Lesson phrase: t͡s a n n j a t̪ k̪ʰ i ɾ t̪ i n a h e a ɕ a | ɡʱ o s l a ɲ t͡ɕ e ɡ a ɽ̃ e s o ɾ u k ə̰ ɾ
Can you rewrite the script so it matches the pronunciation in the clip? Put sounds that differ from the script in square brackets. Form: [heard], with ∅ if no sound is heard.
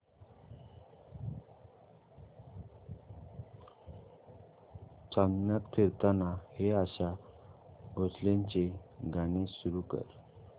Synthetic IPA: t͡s a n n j a t̪ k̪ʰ i ɾ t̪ [a] n a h e a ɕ a | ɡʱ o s l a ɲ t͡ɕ e ɡ a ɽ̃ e s [u] ɾ u k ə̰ ɾ